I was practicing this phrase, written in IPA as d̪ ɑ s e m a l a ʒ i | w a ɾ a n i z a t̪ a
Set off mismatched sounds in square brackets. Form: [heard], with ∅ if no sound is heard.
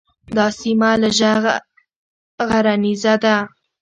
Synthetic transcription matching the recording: d̪ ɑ s [i] m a l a ʒ [a] | [ɣ] a ɾ a n i z a [d̪] a